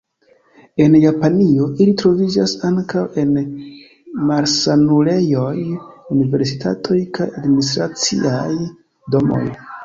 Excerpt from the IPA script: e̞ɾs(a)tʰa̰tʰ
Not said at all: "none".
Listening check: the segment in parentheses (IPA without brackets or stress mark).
i